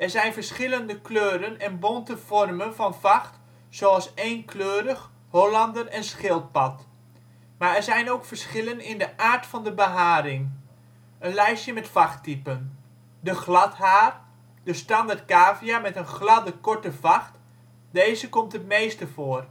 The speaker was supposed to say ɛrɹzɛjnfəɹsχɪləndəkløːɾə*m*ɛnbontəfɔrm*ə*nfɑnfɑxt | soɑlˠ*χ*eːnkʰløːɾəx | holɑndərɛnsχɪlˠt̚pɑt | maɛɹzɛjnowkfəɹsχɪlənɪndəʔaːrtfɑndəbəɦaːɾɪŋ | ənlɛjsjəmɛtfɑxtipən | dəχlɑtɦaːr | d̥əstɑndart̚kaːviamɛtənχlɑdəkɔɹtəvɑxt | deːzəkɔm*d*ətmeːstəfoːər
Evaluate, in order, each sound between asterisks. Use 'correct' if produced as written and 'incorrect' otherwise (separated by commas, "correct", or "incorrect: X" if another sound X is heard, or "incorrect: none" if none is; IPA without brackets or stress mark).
incorrect: n, correct, incorrect: s, incorrect: t